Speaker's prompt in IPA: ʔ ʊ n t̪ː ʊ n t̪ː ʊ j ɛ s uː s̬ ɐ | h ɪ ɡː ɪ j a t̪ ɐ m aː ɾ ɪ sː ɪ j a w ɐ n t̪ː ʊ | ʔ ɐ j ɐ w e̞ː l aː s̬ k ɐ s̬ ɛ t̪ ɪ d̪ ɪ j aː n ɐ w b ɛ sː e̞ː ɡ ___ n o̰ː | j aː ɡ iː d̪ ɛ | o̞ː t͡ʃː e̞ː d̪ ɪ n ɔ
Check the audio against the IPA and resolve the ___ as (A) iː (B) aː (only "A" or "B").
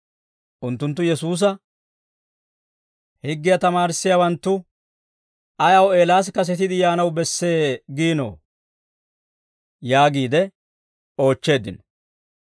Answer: A